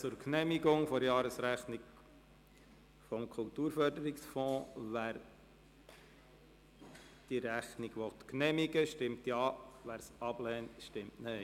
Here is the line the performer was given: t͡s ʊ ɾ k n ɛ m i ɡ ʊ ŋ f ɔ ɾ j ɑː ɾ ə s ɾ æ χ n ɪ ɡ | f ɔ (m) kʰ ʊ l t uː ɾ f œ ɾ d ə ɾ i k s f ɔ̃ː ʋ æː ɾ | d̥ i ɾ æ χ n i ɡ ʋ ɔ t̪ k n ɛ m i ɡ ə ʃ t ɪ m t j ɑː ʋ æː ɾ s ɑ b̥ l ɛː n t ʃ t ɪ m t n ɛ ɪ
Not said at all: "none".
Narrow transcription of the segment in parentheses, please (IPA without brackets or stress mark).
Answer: m